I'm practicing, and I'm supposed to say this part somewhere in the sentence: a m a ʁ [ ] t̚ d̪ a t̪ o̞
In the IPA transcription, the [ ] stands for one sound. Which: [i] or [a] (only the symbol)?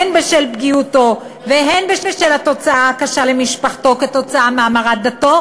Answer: a